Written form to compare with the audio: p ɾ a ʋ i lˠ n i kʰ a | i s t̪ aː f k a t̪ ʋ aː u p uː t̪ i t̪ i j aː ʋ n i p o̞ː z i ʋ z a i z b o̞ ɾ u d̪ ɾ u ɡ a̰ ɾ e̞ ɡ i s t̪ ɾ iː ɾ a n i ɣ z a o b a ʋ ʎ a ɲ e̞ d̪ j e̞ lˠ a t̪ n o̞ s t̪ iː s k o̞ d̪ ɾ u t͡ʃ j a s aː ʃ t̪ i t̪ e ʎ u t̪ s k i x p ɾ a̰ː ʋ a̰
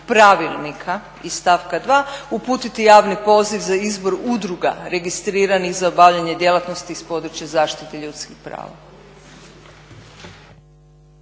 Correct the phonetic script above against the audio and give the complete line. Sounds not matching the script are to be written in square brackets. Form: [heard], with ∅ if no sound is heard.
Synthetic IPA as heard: p ɾ a ʋ i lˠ n i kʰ a | i s t̪ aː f k a [d̪] ʋ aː u p uː t̪ i t̪ i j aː ʋ n i p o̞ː z i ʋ z a i z b o̞ ɾ u d̪ ɾ u ɡ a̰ ɾ e̞ ɡ i s t̪ ɾ iː ɾ a n i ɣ z a o b a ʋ ʎ a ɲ e̞ d̪ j e̞ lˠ a t̪ n o̞ s t̪ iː s [p] o̞ d̪ ɾ u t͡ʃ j a [z] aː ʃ t̪ i t̪ e ʎ u t̪ s k i x p ɾ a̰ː ʋ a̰